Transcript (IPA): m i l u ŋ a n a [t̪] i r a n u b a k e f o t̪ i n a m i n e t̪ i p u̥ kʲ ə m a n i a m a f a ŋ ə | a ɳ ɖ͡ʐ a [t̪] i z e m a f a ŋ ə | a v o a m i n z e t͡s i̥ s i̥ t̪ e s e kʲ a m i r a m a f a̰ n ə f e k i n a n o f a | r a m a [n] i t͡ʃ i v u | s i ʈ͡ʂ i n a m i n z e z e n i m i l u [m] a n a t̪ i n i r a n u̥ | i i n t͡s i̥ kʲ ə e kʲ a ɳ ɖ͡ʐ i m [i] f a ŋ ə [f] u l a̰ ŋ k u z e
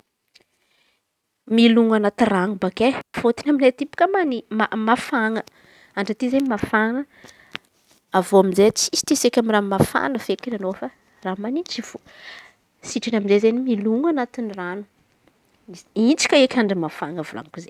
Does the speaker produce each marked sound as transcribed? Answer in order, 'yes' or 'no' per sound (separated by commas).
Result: yes, yes, yes, no, no, no